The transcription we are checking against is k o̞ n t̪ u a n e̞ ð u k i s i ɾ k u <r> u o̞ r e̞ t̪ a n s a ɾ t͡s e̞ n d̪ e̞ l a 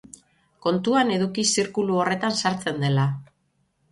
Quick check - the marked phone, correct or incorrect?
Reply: incorrect: l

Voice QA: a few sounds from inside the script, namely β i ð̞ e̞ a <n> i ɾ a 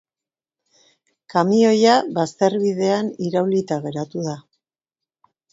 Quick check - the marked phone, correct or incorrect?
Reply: correct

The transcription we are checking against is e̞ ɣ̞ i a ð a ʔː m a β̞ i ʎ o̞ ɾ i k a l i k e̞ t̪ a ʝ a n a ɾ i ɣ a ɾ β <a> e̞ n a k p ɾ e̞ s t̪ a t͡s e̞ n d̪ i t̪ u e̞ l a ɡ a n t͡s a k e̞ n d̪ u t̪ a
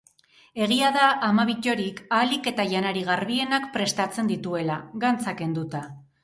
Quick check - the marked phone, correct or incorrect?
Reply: incorrect: i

